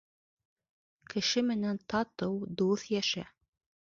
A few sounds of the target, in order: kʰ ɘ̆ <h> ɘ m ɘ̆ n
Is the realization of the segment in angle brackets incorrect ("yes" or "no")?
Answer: yes